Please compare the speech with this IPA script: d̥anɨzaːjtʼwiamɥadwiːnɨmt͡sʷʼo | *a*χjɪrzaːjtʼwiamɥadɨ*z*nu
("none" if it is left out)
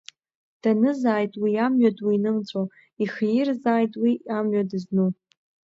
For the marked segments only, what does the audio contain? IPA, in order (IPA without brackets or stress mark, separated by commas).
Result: i, z